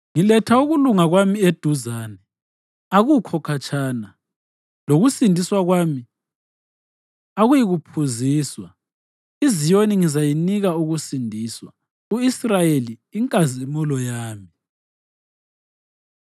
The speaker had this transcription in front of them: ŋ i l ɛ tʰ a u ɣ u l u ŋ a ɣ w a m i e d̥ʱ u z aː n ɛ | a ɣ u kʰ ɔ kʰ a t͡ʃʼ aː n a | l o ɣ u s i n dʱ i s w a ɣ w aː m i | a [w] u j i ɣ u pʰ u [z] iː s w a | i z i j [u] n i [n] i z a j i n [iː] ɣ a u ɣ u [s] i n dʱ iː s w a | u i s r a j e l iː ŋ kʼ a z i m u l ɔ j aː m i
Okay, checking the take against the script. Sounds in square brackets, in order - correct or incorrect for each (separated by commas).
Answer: incorrect, correct, incorrect, incorrect, incorrect, correct